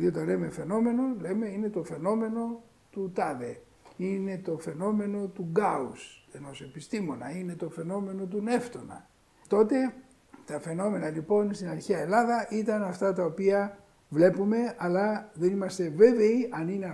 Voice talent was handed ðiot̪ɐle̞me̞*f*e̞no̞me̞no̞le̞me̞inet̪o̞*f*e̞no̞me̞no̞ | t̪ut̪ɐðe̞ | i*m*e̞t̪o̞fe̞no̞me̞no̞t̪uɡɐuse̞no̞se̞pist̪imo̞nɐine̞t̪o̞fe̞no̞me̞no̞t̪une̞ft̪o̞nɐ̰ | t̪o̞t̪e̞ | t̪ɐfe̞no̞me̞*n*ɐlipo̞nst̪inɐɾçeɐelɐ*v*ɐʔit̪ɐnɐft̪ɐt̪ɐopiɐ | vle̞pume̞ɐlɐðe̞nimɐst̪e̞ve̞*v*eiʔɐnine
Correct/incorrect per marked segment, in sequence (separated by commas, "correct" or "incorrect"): correct, correct, incorrect, correct, incorrect, correct